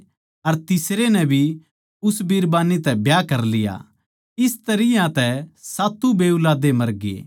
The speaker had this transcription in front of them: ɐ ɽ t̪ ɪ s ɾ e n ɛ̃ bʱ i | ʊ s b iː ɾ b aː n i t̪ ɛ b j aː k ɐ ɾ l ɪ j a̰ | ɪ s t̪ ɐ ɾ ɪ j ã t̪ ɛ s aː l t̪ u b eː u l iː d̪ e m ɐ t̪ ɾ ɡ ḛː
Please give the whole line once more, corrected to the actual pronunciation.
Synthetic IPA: ɐ ɾ t̪ ɪ s ɾ e n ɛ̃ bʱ i | ʊ s b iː ɾ b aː n i t̪ ɛ b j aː k ɐ ɾ l ɪ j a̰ | ɪ s t̪ ɐ ɾ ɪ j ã t̪ ɛ s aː t̪ u b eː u l aː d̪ e m ɐ ɾ ɡ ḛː